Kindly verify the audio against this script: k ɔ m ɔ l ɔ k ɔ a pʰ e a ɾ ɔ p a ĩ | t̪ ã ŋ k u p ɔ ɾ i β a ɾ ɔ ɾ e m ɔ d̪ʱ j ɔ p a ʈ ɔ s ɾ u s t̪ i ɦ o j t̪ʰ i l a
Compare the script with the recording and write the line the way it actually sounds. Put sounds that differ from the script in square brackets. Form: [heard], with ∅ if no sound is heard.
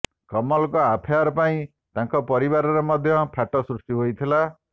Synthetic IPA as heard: k ɔ m ɔ l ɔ k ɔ a pʰ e a ɾ ɔ p a ĩ | t̪ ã ŋ k [ɔ] p ɔ ɾ i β a ɾ ɔ ɾ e m ɔ d̪ʱ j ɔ [pʰ] a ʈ ɔ s ɾ u s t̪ i ɦ o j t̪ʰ i l a

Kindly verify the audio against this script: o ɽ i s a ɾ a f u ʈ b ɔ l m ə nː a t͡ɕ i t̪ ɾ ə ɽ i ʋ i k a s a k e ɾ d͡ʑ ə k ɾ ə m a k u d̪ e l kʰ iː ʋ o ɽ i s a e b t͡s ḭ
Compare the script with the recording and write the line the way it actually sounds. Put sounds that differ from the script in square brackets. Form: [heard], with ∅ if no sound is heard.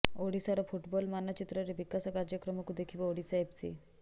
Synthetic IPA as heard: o ɽ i s a ɾ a f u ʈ b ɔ l m [a] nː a t͡ɕ i t̪ ɾ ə [ɾ] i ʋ i k a s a k [a] ɾ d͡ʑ ə k ɾ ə m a k u d̪ e [∅] kʰ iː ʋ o ɽ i s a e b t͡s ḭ

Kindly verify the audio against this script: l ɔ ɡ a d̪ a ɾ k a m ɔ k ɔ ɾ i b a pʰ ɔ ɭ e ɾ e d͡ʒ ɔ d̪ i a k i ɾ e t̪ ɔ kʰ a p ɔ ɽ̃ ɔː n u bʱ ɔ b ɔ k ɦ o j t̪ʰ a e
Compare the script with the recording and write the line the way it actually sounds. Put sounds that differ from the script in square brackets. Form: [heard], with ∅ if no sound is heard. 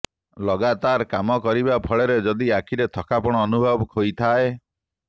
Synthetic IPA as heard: l ɔ ɡ a [t̪] a ɾ k a m ɔ k ɔ ɾ i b a pʰ ɔ ɭ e ɾ e d͡ʒ ɔ d̪ i a [kʰ] i ɾ e [t̪ʰ] ɔ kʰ a p ɔ ɽ̃ ɔː n u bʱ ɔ b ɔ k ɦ o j t̪ʰ a e

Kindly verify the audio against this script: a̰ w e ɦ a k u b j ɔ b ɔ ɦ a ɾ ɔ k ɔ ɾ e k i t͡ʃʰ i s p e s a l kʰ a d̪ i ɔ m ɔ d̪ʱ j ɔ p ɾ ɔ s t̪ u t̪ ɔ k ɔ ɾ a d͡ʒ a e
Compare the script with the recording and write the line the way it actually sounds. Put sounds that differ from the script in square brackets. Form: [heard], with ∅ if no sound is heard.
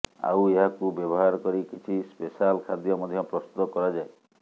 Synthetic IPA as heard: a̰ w e ɦ a k u b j ɔ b ɔ ɦ a ɾ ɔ k ɔ ɾ [i] k i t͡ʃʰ i s p e s a l kʰ a d̪ [j] ɔ m ɔ d̪ʱ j ɔ p ɾ ɔ s t̪ u t̪ ɔ k ɔ ɾ a d͡ʒ a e

